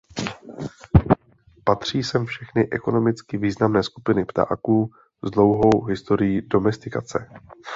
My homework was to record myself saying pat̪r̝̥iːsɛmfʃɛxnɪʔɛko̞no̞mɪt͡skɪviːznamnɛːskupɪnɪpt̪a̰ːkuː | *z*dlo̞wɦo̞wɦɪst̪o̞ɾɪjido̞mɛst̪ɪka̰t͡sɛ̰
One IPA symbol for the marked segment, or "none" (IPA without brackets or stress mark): z